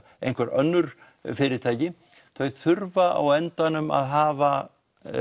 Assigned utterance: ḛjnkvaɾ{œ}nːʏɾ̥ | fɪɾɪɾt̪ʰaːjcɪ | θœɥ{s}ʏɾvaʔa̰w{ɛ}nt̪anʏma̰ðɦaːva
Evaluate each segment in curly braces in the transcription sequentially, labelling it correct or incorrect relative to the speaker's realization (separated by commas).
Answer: correct, incorrect, correct